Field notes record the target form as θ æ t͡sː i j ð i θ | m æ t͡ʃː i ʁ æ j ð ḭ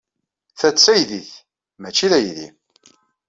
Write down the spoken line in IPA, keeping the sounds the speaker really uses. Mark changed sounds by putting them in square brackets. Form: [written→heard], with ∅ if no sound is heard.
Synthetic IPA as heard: θ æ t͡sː [i→æ] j ð i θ | m æ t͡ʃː i [ʁ→ð] æ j ð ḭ